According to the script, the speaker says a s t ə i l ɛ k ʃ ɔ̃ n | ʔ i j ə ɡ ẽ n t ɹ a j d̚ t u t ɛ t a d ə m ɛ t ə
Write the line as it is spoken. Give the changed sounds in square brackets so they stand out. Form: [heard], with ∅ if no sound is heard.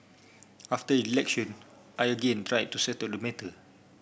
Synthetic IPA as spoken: a [f] t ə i l ɛ k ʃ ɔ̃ n | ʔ [a] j ə ɡ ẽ n t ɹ a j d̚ t u [s] ɛ t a d ə m ɛ t ə